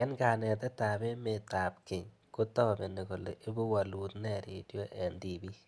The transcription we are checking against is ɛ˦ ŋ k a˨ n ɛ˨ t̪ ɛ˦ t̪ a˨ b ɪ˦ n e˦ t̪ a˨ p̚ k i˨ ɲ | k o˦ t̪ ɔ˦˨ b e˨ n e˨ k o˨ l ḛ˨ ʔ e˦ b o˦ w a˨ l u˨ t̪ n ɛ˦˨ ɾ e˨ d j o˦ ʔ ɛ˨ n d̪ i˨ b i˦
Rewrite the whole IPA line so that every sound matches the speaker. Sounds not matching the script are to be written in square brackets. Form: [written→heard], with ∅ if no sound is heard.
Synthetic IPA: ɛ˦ [ŋ→n] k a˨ n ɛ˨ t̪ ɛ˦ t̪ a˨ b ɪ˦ [n→m] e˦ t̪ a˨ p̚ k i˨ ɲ | k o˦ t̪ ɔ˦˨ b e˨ n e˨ k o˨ l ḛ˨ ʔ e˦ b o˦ w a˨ l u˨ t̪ n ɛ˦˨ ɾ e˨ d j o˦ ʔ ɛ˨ n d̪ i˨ b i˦